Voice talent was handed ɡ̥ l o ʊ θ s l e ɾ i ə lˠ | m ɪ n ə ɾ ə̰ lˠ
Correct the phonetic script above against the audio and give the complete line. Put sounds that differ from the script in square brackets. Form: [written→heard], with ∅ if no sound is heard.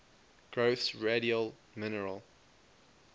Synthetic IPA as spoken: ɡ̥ [l→ɹ] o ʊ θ s [l→ɹ] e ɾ i ə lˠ | m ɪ n ə [ɾ→ɹ] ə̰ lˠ